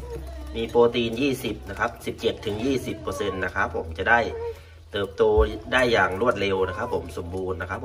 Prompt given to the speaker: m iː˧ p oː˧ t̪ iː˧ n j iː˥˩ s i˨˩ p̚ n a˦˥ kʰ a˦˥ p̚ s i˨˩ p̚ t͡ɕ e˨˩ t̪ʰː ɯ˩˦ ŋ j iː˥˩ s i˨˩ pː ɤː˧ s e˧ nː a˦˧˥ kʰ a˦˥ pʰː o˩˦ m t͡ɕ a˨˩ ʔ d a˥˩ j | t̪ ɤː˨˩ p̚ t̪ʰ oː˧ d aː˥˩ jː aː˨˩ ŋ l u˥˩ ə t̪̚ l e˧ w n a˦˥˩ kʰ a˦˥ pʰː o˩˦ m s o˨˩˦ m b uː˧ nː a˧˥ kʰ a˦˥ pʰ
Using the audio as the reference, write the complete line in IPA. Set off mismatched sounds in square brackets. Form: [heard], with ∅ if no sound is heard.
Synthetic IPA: m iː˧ p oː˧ t̪ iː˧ n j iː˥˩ s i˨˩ p̚ n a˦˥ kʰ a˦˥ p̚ s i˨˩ p̚ t͡ɕ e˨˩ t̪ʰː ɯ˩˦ ŋ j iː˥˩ s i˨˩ pː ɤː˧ s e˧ nː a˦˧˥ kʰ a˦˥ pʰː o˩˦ m t͡ɕ a˨˩ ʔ d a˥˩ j | t̪ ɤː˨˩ p̚ [t̪] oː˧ d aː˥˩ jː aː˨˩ ŋ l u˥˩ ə t̪̚ l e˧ w n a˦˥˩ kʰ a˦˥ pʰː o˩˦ m s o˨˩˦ m b uː˧ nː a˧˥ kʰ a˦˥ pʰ